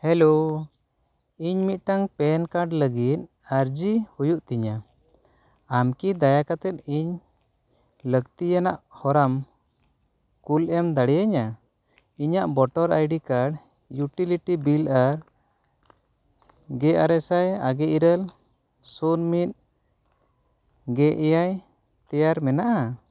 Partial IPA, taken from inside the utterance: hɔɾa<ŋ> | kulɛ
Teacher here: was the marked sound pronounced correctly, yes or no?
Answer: no